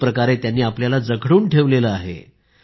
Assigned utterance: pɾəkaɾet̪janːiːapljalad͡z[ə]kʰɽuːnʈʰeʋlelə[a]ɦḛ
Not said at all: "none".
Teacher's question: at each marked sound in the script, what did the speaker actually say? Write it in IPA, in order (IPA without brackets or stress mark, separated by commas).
ə, a